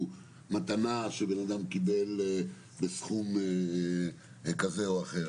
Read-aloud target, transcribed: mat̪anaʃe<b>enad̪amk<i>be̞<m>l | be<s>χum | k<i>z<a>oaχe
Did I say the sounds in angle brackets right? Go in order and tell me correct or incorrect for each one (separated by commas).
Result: correct, correct, incorrect, correct, incorrect, incorrect